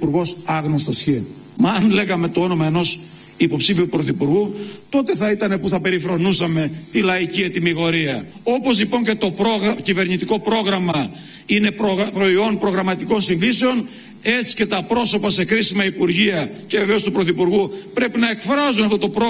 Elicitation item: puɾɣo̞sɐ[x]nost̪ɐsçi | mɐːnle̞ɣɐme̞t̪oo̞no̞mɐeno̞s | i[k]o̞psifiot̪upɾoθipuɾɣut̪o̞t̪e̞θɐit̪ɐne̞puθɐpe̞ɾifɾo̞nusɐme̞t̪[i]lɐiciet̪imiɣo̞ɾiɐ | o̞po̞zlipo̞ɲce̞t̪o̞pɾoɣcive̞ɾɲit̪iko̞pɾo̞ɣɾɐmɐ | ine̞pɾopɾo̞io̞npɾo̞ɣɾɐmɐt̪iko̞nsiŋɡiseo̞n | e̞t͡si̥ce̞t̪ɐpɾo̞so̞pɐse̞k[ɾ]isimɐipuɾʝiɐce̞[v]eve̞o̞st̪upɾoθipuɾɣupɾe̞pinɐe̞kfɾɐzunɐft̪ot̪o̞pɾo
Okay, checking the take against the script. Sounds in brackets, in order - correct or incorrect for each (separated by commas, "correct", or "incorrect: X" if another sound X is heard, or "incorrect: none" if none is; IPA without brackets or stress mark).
incorrect: ɣ, incorrect: p, correct, correct, correct